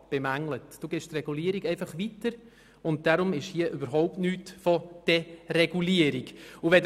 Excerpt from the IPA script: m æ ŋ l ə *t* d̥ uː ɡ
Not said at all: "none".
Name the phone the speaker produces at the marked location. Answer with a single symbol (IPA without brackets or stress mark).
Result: t